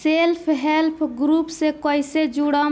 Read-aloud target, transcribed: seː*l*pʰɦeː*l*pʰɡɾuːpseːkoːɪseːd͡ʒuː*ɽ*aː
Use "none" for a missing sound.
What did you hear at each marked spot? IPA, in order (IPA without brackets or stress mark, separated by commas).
l, l, ɽ